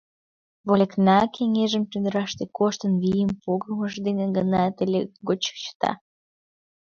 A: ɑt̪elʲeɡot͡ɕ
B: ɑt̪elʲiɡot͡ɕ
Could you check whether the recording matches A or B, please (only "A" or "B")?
A